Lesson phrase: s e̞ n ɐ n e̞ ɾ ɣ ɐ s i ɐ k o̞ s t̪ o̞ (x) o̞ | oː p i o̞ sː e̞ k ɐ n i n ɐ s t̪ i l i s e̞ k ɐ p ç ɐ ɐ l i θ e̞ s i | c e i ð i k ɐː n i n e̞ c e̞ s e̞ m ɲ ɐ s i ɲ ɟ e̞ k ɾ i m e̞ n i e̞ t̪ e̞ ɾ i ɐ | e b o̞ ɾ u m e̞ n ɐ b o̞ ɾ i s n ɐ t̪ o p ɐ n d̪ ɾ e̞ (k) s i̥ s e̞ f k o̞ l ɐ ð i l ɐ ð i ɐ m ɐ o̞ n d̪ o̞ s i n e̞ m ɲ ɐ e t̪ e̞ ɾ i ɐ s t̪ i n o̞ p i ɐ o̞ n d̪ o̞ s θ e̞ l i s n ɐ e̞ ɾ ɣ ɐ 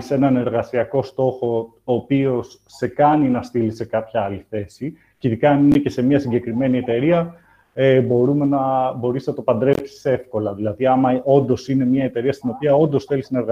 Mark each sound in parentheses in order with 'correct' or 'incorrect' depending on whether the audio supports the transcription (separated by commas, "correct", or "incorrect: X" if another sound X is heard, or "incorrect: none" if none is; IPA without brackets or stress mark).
correct, incorrect: p